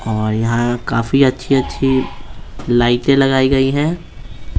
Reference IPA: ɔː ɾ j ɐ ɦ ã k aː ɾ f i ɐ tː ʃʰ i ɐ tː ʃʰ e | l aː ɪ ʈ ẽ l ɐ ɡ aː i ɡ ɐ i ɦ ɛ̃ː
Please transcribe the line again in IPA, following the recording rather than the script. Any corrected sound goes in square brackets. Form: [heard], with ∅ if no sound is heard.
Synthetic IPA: ɔː ɾ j ɐ ɦ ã k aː [∅] f i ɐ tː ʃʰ i ɐ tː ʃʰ [i] | l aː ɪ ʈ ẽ l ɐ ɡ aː i ɡ ɐ i ɦ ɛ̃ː